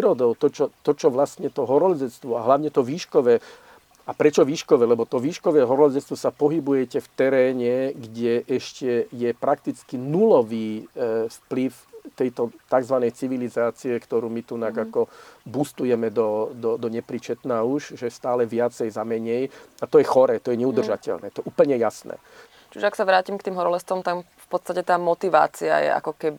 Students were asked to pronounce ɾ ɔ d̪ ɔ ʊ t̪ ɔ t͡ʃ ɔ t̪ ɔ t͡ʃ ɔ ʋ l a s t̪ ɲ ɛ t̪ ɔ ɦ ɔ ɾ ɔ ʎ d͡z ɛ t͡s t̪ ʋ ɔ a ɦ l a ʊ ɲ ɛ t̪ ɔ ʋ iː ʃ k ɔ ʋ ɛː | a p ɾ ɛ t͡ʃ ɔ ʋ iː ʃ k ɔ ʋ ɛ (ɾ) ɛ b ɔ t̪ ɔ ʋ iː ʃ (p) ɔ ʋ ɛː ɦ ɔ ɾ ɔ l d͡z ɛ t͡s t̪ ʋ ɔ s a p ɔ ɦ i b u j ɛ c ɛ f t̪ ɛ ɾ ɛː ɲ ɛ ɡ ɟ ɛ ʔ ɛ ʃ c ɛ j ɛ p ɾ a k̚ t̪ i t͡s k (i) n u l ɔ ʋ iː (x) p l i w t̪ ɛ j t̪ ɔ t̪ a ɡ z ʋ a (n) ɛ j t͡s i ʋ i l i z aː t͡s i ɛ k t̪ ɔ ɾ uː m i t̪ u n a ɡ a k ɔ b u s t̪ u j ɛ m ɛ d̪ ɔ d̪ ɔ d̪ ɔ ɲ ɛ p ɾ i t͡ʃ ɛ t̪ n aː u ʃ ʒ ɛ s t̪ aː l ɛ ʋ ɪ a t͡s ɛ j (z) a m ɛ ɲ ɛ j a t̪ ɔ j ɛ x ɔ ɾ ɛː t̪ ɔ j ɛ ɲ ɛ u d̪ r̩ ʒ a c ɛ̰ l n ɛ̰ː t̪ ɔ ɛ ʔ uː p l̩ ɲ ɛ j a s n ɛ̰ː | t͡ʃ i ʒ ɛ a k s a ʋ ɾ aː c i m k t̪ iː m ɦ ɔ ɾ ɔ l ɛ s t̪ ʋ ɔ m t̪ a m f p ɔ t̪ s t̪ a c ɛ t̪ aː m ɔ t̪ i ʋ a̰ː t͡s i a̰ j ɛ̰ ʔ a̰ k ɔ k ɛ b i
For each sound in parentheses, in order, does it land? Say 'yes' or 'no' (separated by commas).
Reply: no, no, yes, no, yes, yes